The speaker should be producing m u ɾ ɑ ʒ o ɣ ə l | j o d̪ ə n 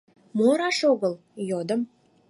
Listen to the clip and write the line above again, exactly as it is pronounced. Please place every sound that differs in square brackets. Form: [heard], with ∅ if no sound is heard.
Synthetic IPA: m [o] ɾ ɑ [ʃ] o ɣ ə l | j o d̪ ə [m]

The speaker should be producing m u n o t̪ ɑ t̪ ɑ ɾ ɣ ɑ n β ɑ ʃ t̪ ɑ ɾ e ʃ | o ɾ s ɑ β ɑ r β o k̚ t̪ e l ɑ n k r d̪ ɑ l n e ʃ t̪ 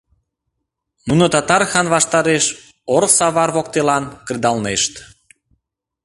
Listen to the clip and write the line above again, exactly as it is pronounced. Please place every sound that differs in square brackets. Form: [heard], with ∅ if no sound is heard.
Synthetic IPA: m u n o t̪ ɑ t̪ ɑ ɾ [x] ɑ n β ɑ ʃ t̪ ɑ ɾ e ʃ | o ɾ s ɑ β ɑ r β o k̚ t̪ e l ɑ n k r d̪ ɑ l n e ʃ t̪

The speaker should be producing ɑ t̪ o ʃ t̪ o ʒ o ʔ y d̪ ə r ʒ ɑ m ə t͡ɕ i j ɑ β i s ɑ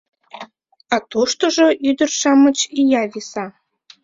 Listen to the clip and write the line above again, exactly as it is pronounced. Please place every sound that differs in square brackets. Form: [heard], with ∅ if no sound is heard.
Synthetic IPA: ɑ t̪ o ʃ t̪ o ʒ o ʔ y d̪ ə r [ʃ] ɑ m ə t͡ɕ i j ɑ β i s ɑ

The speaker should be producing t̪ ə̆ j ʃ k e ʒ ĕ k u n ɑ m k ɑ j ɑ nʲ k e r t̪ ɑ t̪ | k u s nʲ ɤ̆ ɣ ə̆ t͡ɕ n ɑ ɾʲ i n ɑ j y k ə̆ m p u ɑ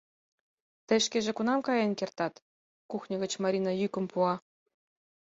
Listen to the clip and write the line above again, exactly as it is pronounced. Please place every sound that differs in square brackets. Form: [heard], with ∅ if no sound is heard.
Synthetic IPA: t̪ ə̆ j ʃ k e ʒ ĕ k u n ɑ m k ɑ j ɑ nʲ k e r t̪ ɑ t̪ | k u [x] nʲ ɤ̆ ɣ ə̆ t͡ɕ [m] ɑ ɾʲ i n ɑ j y k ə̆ m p u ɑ

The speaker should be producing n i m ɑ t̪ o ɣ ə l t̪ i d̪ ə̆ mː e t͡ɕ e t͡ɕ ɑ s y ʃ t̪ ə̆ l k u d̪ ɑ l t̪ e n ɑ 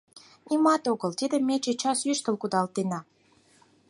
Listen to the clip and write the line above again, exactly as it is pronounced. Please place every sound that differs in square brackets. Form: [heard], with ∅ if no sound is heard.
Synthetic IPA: n i m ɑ t̪ o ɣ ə l t̪ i d̪ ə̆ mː e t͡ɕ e t͡ɕ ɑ s y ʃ t̪ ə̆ l k u d̪ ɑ l t̪ e n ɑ

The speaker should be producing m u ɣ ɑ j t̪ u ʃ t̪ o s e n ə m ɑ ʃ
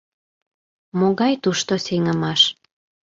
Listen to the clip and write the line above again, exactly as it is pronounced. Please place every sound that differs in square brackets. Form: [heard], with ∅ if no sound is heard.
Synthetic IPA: m [o] ɣ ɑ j t̪ u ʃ t̪ o s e [ŋ] ə m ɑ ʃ

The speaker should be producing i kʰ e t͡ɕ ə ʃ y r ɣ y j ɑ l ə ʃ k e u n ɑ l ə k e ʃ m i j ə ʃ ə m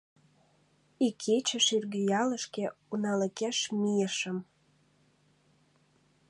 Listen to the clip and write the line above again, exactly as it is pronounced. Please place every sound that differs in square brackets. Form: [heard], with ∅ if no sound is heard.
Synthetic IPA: i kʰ e t͡ɕ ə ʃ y r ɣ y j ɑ l ə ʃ k e u n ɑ l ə k e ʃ m i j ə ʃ ə m

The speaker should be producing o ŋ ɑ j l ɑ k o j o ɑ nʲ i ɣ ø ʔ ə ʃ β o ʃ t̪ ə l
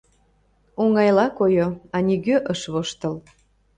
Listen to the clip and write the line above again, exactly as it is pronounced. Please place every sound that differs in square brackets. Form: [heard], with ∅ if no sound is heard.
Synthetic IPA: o ŋ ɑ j l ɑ k o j o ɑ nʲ i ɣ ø ʔ ə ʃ β o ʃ t̪ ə l

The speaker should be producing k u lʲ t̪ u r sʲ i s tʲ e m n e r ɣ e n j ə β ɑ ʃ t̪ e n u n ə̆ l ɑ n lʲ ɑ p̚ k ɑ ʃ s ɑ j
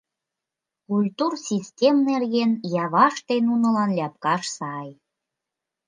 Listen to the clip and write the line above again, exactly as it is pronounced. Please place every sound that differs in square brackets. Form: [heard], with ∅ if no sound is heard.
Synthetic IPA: k u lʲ t̪ u r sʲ i s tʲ e m n e r ɣ e n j [ɑ] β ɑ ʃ t̪ e n u n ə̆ l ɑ n lʲ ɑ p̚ k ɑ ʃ s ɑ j

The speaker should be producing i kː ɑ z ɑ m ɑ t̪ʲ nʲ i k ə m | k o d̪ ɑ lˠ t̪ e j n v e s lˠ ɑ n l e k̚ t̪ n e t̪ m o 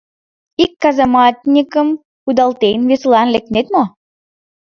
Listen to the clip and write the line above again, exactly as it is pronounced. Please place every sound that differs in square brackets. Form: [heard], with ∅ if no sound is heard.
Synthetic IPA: i kː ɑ z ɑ m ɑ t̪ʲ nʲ i k ə m | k [u] d̪ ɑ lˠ t̪ e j n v e s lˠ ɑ n l e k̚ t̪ n e t̪ m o

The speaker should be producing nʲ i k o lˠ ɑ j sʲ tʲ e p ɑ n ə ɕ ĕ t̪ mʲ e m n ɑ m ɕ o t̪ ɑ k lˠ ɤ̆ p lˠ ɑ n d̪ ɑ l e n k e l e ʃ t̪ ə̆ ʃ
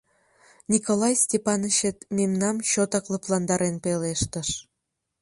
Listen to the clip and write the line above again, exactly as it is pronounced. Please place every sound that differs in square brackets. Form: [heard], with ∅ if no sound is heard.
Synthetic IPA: nʲ i k o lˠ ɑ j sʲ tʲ e p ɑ n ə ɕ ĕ t̪ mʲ e m n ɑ m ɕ o t̪ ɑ k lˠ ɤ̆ p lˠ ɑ n d̪ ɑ [ɾ] e n [p] e l e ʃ t̪ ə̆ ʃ

